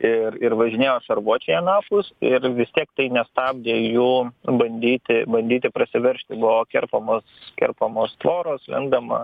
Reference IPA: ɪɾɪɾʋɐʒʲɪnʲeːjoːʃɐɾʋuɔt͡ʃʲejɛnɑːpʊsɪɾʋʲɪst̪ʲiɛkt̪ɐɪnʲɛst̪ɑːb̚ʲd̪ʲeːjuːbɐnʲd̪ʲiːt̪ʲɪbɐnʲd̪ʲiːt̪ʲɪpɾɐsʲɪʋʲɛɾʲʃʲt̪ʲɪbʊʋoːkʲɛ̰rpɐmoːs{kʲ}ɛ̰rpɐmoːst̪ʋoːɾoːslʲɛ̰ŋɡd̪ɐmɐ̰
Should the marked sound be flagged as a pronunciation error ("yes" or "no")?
no